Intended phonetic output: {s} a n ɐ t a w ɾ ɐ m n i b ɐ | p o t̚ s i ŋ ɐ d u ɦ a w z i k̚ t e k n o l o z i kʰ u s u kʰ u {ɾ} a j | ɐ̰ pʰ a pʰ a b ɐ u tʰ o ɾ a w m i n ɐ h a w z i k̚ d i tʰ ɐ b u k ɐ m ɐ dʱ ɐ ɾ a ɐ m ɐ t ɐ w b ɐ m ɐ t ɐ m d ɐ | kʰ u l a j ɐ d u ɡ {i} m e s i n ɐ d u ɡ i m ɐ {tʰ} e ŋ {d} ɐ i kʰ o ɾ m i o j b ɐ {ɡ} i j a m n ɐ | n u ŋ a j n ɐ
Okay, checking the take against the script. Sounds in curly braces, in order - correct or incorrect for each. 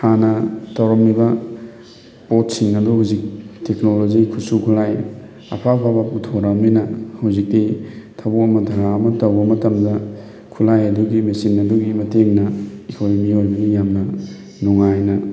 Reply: incorrect: h, incorrect: l, correct, incorrect: t, incorrect: n, correct

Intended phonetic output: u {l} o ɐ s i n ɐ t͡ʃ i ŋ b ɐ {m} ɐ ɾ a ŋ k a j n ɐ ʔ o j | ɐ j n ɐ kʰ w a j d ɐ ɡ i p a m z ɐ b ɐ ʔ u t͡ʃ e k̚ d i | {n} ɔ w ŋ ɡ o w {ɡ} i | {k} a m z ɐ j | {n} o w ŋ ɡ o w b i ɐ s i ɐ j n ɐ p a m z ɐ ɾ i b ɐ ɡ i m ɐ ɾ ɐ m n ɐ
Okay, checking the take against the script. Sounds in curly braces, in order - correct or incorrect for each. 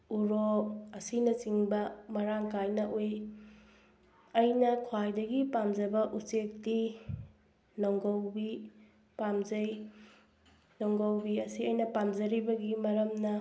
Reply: incorrect: ɾ, correct, correct, incorrect: b, incorrect: p, correct

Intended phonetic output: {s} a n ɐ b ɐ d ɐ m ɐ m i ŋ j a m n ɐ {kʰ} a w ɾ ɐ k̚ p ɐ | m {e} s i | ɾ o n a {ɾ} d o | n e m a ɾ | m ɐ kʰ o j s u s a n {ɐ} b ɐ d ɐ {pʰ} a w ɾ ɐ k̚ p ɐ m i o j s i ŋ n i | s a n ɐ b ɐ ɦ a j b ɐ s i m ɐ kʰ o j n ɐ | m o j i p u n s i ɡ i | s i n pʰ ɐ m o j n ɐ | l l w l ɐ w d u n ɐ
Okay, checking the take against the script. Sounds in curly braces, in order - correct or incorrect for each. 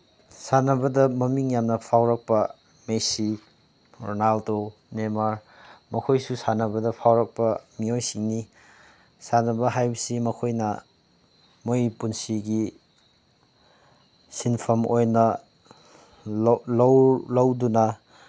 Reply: correct, incorrect: pʰ, correct, incorrect: l, correct, correct

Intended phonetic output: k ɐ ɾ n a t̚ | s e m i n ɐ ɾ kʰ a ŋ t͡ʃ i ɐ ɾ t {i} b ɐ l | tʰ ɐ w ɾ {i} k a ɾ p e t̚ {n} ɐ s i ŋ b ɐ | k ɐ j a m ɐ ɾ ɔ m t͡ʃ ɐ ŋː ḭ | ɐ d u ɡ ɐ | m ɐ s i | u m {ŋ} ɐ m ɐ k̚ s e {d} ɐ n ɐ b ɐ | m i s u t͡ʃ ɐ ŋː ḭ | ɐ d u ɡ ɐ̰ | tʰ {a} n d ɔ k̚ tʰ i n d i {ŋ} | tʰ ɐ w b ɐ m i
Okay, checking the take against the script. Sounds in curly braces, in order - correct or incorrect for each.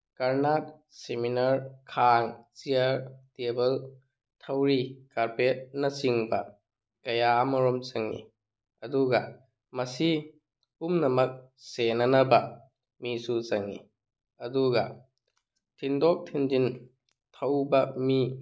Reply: incorrect: e, correct, correct, incorrect: n, incorrect: n, incorrect: i, incorrect: n

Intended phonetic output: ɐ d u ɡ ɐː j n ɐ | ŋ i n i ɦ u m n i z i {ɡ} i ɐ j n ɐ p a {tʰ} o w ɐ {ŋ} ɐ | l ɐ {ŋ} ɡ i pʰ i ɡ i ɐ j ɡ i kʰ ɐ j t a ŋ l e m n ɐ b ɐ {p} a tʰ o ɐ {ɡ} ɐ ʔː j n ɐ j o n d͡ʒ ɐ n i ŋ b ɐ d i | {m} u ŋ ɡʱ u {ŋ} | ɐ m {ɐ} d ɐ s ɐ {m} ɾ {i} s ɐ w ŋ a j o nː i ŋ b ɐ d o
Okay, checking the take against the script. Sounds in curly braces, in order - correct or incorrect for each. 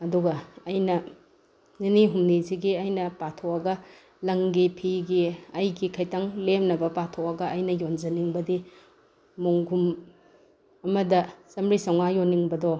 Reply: correct, correct, incorrect: ɡ, correct, correct, correct, correct, incorrect: m, correct, correct, correct

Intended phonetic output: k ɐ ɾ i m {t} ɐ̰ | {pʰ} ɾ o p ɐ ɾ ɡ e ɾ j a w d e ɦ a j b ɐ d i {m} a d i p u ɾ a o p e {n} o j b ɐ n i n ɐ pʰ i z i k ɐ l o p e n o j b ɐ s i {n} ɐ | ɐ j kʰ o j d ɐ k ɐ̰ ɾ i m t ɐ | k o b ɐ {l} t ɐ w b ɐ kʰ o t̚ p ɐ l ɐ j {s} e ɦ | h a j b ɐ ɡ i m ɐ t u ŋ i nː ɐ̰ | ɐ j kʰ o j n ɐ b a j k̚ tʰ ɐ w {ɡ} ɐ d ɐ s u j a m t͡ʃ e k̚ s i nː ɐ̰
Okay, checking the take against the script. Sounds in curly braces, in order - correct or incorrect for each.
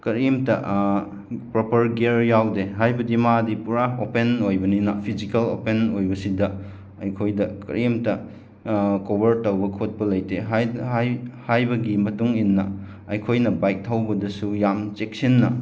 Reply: correct, incorrect: p, correct, correct, incorrect: d, incorrect: ɾ, incorrect: t, incorrect: b

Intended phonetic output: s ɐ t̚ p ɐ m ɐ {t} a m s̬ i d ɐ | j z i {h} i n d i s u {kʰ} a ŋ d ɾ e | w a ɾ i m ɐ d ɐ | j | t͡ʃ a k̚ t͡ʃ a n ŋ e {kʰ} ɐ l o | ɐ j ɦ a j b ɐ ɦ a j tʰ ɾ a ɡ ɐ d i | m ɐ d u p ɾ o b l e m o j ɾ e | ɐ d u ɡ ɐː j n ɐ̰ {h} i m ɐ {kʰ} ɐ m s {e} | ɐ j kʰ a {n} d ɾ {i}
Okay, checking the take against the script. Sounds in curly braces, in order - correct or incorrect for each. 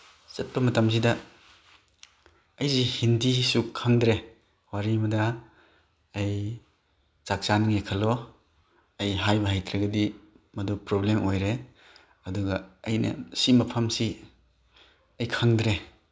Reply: correct, correct, correct, correct, incorrect: s, incorrect: pʰ, incorrect: i, incorrect: ŋ, incorrect: e

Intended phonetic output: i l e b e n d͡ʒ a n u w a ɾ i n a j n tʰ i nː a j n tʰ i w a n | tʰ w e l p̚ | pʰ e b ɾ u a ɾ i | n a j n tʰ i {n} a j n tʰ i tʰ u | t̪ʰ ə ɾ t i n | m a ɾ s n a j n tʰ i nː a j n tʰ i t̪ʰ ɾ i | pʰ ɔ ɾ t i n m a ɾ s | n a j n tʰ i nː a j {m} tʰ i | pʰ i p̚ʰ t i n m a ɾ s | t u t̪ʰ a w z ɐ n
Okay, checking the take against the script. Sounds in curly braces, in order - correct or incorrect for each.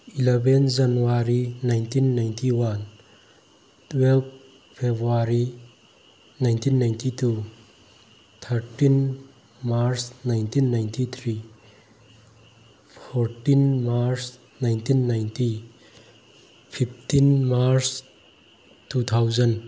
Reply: incorrect: nː, incorrect: n

